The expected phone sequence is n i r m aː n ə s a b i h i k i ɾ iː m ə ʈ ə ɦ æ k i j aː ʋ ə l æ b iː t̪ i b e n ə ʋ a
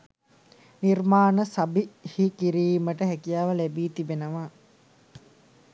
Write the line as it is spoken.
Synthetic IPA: n i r m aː n ə s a b i h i k i ɾ iː m ə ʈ ə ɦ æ k i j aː ʋ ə l æ b iː t̪ i b e n ə ʋ a